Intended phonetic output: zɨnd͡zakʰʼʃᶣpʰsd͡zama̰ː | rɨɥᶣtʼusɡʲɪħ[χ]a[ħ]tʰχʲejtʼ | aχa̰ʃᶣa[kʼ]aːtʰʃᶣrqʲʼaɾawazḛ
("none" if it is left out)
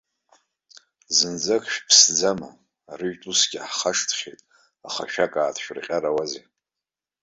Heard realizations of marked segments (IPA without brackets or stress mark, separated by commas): χ, ʂ, kʼ